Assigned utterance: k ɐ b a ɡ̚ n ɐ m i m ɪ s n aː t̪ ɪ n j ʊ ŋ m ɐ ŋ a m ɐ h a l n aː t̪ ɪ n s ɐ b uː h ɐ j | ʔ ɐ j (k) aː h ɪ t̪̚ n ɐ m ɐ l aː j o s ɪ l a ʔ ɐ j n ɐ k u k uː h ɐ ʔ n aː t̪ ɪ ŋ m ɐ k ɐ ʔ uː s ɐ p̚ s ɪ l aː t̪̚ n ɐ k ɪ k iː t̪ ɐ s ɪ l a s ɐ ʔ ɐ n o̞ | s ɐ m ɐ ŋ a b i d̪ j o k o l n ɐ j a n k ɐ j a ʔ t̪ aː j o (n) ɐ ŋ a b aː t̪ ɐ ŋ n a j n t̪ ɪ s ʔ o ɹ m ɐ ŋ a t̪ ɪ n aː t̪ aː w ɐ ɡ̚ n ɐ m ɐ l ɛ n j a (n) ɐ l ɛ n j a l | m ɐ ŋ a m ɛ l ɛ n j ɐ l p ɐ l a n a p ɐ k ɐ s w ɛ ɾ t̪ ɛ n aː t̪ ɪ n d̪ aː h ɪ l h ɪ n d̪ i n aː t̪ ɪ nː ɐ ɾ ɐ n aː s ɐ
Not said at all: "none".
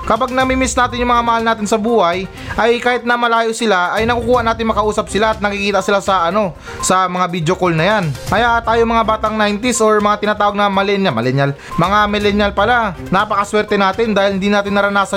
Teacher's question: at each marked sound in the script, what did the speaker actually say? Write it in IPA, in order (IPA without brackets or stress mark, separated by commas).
k, m, m